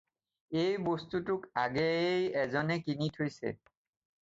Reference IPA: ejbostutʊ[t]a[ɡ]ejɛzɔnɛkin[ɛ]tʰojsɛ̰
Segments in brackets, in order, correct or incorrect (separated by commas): incorrect, correct, incorrect